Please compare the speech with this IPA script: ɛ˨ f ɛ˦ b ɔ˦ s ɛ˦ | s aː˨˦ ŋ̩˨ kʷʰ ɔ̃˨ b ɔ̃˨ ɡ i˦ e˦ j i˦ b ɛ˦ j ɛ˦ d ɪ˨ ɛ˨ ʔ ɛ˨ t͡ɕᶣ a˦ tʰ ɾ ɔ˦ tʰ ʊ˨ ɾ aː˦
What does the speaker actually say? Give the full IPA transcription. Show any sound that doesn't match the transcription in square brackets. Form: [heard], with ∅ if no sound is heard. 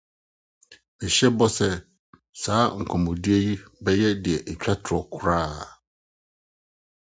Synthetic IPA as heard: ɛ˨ [ɕ] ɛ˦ b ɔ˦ s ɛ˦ | s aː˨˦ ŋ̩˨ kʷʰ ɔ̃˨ [m] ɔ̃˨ [d] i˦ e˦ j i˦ b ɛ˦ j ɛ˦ d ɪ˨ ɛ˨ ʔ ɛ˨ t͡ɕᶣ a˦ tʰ ɾ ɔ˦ [kʰ] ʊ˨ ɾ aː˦